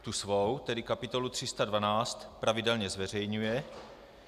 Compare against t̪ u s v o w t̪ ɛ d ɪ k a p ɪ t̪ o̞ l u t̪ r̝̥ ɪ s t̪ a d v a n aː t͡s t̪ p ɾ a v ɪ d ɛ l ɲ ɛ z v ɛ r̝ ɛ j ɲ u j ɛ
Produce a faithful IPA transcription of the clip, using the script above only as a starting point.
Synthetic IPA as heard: t̪ u s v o w t̪ ɛ d ɪ k a p ɪ t̪ o̞ l u t̪ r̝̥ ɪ s t̪ a d v a n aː t͡s t̪ p ɾ a v ɪ d ɛ l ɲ ɛ z v ɛ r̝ ɛ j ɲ u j ɛ